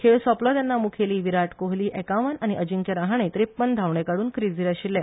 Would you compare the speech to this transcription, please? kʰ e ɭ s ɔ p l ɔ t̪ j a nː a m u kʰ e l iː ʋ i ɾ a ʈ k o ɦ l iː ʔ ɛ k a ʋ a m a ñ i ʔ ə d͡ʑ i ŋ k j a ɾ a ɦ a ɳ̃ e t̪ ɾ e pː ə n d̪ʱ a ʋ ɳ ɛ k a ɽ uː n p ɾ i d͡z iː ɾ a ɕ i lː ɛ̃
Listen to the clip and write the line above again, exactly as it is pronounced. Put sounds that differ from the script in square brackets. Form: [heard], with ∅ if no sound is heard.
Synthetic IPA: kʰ e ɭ s ɔ p l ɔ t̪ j a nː a m u kʰ e l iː ʋ i ɾ a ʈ k o ɦ l iː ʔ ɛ k a ʋ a [n] a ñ i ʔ ə d͡ʑ i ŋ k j a ɾ a ɦ a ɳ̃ e t̪ ɾ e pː ə n d̪ʱ a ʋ ɳ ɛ k a ɽ uː n [k] ɾ i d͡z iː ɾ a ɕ i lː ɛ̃